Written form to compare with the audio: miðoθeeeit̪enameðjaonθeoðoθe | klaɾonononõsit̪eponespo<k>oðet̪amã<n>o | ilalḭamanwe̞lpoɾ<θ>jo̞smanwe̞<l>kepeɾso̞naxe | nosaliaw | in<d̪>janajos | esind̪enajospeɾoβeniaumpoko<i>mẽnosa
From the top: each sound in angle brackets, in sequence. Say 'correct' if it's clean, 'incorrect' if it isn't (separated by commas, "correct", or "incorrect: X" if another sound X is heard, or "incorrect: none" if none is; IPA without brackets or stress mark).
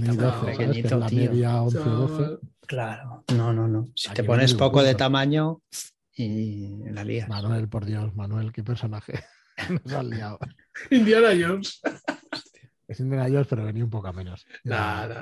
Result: correct, incorrect: ɲ, incorrect: ð, correct, correct, incorrect: a